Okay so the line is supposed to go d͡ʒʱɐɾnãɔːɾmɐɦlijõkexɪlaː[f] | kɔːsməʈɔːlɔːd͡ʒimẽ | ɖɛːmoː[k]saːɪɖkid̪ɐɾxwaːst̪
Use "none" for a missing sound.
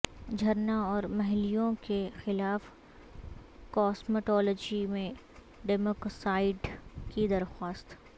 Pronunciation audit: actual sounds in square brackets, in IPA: f, k

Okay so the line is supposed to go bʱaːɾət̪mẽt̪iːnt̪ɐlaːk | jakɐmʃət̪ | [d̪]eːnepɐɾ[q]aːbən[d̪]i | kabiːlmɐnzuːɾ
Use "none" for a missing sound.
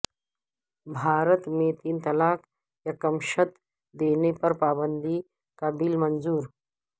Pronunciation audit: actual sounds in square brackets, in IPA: d̪, p, d̪

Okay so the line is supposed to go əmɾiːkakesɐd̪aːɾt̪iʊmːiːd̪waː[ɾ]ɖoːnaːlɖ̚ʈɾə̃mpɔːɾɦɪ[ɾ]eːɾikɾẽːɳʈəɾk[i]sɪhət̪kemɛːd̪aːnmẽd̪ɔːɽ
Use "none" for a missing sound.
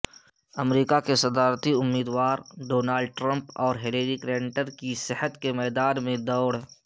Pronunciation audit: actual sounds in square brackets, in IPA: ɾ, l, i

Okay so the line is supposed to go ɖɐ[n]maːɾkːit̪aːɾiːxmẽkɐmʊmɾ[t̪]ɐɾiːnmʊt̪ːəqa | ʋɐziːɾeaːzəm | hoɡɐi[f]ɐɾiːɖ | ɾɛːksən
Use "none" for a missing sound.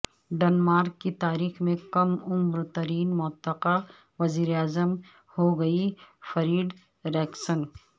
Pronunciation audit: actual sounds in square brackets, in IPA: n, t̪, f

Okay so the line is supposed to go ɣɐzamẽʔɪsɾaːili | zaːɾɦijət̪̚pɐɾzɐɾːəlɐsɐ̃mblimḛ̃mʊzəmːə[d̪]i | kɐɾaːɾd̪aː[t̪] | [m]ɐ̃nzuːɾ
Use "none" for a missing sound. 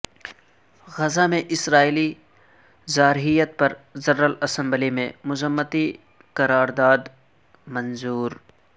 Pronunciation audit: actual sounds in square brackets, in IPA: t̪, d̪, m

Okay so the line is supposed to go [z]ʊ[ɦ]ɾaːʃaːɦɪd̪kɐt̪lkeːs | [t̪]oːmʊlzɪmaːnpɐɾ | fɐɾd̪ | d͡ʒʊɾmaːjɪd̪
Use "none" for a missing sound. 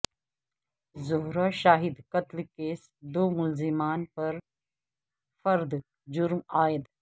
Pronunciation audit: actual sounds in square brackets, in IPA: z, ɦ, d̪

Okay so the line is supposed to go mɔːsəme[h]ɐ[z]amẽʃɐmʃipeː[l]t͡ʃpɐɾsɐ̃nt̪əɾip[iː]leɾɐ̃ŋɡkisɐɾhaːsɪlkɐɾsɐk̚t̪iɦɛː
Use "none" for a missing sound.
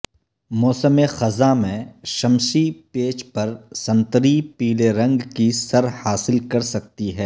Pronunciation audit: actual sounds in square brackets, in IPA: x, z, none, iː

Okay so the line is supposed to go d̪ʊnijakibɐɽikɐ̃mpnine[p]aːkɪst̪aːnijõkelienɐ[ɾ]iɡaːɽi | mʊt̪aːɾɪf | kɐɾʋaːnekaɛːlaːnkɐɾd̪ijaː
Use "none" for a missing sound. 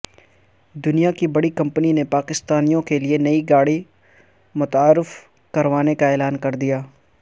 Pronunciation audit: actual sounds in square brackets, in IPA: p, none

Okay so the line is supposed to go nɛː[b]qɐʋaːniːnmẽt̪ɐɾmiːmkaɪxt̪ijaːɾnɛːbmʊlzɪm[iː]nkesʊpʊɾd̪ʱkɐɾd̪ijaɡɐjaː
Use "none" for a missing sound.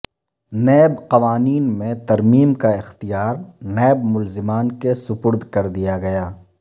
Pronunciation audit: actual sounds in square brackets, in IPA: b, aː

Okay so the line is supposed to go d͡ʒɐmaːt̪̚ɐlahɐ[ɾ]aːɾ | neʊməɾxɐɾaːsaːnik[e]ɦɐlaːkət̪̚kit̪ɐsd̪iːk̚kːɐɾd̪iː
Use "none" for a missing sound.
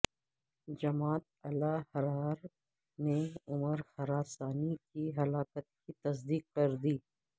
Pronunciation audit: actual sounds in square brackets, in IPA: ɾ, i

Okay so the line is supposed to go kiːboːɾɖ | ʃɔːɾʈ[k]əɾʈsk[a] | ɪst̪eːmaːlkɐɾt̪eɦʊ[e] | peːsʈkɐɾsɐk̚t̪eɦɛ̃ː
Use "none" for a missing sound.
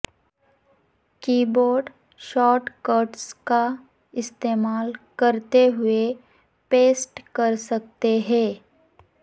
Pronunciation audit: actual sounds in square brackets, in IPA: k, a, e

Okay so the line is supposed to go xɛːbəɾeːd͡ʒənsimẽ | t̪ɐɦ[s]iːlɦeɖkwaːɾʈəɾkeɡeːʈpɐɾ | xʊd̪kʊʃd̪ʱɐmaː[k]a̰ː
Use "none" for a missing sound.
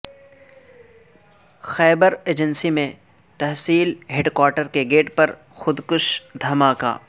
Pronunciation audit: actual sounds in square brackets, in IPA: s, k

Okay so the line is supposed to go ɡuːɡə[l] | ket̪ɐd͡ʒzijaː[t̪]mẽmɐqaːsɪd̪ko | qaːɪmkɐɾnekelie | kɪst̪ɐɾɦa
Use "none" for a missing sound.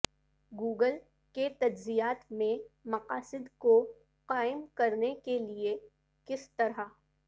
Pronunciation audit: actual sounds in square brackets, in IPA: l, t̪

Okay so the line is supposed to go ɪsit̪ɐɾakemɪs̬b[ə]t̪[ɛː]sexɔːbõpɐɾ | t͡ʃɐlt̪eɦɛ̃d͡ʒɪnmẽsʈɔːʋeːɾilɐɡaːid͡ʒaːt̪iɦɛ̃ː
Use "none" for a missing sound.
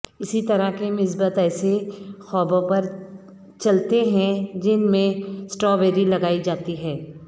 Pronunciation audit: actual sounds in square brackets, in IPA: ə, ɛː

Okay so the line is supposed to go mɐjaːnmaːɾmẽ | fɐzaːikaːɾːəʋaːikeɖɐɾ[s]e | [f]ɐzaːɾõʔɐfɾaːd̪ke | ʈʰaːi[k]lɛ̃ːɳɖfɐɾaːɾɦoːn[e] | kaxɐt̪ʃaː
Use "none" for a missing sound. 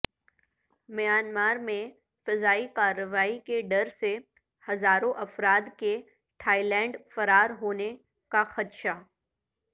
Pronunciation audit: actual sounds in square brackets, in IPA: s, h, none, e

